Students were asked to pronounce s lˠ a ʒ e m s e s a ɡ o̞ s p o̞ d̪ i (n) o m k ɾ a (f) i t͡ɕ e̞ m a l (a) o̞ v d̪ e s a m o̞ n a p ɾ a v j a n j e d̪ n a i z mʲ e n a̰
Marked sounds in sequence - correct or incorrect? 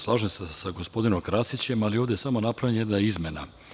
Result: correct, incorrect: s, incorrect: i

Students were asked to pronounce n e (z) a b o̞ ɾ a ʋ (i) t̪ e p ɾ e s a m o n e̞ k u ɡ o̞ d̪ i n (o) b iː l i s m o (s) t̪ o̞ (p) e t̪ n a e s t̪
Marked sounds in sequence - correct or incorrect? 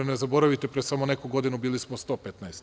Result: correct, correct, incorrect: u, correct, correct

